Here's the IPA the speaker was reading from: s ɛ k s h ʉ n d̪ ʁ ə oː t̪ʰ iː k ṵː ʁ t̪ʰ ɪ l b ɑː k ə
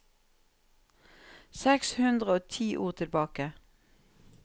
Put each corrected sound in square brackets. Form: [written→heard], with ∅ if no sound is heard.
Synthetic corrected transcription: s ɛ k s h ʉ n d̪ ʁ ə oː t̪ʰ iː [k→ʔ] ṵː ʁ t̪ʰ ɪ l b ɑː k ə